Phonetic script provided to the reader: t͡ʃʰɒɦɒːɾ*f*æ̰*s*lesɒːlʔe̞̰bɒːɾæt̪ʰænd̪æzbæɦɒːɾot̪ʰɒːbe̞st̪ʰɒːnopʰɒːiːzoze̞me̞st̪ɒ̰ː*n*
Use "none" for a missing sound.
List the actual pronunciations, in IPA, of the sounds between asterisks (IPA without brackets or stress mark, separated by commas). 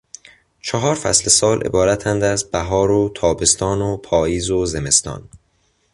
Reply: f, s, n